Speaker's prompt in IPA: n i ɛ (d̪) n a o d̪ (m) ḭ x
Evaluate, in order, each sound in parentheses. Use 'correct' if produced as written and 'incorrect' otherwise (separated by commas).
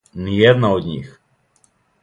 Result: correct, incorrect